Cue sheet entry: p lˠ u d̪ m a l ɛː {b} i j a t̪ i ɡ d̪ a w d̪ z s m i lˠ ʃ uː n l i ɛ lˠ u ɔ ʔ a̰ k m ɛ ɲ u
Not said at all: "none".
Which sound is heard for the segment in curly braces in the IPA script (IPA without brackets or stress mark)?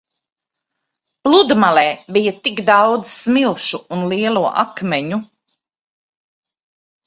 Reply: b